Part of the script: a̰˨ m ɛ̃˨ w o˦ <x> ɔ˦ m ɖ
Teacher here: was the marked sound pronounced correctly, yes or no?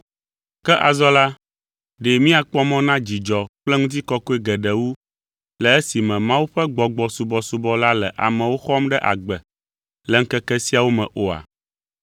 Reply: yes